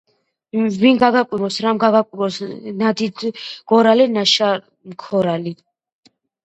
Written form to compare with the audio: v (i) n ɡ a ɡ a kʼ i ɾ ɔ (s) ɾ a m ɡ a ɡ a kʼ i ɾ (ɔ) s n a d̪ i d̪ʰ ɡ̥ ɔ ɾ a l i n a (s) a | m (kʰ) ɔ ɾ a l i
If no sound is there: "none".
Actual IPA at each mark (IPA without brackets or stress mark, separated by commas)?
i, s, ɔ, ʃ, kʰ